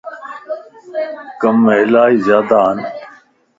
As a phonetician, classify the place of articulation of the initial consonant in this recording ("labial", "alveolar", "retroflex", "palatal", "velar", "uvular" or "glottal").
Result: velar